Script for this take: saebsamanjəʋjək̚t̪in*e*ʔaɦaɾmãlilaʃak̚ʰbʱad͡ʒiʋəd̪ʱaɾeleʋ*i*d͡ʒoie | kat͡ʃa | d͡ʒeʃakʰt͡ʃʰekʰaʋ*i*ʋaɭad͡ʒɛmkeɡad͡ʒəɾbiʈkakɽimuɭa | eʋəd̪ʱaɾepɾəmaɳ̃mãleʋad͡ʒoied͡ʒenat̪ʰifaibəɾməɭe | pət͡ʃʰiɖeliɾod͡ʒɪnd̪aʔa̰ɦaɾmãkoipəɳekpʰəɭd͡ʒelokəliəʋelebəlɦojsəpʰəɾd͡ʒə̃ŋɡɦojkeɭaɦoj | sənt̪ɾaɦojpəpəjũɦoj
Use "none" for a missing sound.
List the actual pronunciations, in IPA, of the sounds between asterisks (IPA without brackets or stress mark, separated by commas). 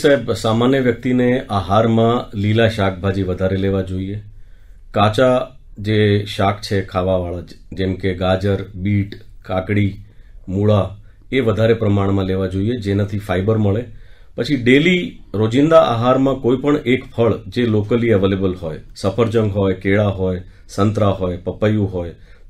e, a, a